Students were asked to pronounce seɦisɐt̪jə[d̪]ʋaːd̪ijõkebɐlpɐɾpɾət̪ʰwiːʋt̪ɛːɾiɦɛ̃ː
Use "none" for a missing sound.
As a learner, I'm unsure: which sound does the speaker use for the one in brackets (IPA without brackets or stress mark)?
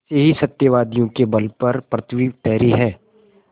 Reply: none